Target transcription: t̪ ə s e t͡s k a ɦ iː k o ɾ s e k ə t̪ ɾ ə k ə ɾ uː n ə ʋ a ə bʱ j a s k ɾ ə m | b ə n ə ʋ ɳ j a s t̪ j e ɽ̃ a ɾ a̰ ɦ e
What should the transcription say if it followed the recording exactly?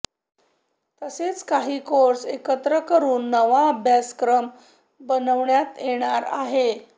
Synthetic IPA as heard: t̪ ə s e t͡s k a ɦ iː k o ɾ s e k ə t̪ ɾ ə k ə ɾ uː nː ə ʋ a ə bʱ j a s k ɾ ə m | b ə n ə ʋ ɳ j a t̪ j e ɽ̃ a ɾ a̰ ɦ e